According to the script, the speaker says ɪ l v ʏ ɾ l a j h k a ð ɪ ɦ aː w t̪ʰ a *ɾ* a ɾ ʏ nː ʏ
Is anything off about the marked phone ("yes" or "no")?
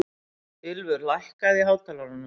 yes